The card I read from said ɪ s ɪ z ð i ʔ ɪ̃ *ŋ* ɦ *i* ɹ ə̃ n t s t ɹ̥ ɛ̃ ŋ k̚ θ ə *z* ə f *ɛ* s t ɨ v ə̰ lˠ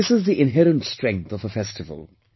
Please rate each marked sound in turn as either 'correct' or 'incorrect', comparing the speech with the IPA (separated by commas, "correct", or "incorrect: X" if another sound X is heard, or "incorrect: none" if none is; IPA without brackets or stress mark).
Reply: incorrect: n, incorrect: ɛ, incorrect: v, correct